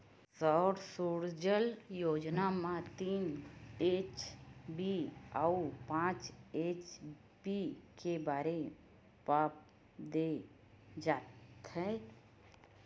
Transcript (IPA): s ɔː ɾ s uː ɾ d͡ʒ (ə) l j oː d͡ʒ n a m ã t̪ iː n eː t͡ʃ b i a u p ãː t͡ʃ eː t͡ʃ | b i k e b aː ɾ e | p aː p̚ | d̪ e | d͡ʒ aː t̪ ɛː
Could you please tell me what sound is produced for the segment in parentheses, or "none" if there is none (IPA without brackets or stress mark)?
ə